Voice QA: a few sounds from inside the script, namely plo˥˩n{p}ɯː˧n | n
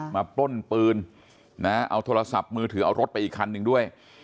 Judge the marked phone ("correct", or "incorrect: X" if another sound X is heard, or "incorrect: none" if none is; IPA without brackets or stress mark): correct